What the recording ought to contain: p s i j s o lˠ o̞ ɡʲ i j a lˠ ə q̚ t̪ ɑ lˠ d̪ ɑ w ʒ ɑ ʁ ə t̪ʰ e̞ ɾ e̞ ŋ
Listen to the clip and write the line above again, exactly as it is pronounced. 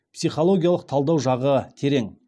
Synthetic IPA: p s i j χ o lˠ o̞ ɡʲ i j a lˠ ə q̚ t̪ʰ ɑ lˠ d̪ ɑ w ʒ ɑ ʁ ə t̪ʰ e̞ ɾ e̞ ŋ